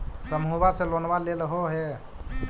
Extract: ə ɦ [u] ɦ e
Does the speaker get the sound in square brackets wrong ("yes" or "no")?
yes